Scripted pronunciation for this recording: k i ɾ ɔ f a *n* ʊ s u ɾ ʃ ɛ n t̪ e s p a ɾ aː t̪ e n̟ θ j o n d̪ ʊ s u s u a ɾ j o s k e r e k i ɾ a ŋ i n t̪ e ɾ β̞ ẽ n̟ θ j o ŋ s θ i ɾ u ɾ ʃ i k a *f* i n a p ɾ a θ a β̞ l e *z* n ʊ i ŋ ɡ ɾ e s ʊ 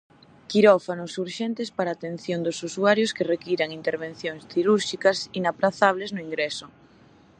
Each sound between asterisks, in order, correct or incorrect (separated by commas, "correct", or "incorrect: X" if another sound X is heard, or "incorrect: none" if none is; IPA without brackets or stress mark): correct, incorrect: s, correct